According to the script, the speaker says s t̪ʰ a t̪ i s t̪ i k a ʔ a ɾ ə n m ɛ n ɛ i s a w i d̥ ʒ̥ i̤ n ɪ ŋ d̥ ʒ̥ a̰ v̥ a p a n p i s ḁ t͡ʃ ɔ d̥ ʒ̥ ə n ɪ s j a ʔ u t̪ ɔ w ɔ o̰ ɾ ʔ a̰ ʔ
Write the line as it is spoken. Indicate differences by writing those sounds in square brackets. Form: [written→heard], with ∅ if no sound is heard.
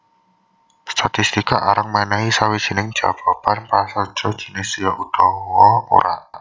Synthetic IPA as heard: s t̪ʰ a t̪ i s t̪ i k a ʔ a ɾ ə [n→ŋ] m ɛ n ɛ i s a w i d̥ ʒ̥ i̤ n ɪ ŋ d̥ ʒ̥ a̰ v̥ a p a n p [i→a] s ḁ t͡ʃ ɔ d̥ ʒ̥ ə n ɪ s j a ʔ u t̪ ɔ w ɔ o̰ ɾ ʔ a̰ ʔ